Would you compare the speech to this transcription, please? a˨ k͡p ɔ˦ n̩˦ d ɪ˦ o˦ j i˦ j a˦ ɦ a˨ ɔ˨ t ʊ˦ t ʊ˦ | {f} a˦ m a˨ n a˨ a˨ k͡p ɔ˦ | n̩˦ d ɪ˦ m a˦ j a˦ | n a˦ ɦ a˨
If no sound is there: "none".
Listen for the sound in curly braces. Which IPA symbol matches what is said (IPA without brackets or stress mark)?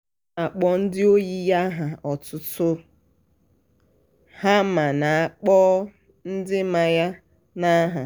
h